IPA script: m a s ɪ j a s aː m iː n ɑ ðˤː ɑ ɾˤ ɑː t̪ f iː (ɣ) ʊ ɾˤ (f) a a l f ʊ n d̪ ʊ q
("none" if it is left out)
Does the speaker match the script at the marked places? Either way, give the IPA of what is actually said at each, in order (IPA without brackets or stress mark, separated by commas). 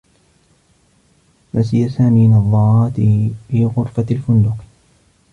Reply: ɣ, f